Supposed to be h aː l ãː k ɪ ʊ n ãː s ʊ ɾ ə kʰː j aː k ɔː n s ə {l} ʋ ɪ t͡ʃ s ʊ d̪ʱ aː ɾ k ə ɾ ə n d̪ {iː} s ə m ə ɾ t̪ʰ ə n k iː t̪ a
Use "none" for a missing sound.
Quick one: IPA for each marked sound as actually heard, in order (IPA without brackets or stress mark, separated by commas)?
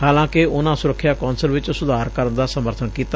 l, aː